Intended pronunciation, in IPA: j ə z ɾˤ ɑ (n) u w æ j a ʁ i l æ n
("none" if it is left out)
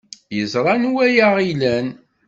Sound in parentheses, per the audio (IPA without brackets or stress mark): n